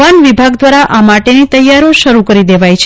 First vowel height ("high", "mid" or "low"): low